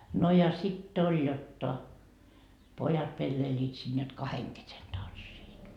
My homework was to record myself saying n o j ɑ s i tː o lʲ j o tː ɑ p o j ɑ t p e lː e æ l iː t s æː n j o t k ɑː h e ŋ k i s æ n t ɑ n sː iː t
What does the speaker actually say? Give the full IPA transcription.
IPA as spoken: n o j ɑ s i tː o lʲ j o tː ɑ p o j ɑ t p e lː e i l iː t s iː n j o t k ɑ h e ŋ k e s e n t ɑ n sː iː t